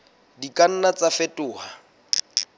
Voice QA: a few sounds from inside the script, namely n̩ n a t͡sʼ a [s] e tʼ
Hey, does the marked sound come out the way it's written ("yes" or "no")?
no